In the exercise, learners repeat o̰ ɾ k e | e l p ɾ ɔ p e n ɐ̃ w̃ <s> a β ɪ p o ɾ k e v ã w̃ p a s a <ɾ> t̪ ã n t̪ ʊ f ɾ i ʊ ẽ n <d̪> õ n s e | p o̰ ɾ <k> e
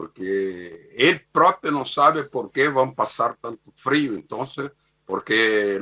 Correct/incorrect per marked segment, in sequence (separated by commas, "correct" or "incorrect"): correct, correct, incorrect, correct